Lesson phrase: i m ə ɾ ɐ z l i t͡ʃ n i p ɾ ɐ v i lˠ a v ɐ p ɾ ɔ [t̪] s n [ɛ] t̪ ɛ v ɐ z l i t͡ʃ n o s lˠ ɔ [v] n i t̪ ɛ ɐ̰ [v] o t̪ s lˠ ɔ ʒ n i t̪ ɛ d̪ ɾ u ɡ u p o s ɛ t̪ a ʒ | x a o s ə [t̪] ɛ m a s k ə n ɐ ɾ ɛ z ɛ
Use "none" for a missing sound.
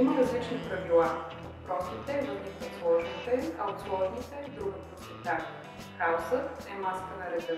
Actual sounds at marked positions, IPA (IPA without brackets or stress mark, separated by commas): none, i, ʒ, none, t̪